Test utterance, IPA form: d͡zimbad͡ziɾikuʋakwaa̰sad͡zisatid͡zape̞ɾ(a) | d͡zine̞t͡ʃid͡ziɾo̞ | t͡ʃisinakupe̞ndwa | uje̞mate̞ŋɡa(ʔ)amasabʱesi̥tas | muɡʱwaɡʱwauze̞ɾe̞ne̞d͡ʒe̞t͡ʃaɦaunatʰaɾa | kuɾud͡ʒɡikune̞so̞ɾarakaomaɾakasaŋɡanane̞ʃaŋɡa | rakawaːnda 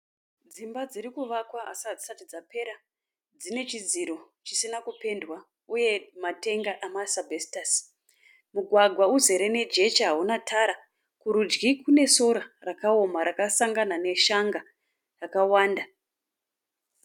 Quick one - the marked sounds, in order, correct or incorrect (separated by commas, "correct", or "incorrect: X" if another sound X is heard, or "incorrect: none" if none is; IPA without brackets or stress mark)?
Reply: correct, correct